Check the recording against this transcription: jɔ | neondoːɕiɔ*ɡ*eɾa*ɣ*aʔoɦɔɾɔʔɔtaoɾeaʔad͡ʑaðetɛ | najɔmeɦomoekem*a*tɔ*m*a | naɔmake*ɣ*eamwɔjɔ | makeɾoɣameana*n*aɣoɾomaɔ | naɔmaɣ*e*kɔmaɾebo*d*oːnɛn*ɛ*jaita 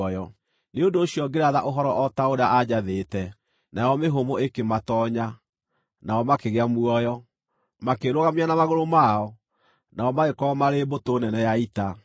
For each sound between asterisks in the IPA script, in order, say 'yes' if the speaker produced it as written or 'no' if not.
yes, no, yes, no, yes, no, yes, no, yes

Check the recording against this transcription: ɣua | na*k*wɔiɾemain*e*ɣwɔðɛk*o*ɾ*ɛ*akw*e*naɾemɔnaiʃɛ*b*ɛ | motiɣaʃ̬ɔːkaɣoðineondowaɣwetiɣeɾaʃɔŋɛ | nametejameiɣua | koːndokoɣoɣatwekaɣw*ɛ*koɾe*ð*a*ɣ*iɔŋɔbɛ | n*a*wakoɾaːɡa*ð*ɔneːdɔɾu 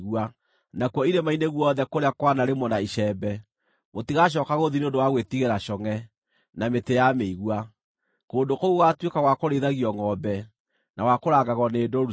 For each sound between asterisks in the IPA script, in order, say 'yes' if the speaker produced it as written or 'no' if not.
yes, yes, yes, no, no, yes, no, yes, yes, yes, no

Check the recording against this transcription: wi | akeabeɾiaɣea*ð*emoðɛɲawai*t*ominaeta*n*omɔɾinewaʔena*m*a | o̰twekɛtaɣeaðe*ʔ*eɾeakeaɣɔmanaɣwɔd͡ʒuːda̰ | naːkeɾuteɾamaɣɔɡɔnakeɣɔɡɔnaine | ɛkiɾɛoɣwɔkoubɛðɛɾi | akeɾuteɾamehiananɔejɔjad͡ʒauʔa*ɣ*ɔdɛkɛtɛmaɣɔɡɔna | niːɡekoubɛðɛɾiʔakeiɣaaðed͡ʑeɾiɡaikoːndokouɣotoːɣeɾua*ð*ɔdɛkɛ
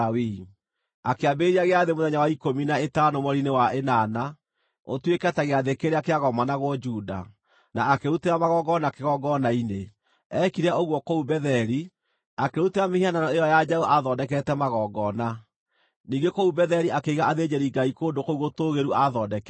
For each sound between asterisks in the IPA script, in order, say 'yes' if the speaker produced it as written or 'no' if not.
yes, no, yes, no, no, no, yes

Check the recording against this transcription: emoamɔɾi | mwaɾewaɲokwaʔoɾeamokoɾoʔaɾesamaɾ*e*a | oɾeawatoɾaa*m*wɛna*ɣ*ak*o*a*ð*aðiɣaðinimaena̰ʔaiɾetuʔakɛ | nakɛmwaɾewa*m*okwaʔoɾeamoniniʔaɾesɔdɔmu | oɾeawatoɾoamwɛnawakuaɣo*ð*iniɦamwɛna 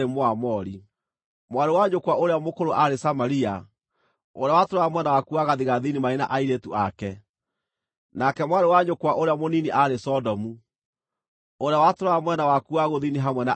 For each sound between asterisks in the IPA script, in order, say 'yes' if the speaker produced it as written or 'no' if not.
no, yes, no, no, no, no, yes

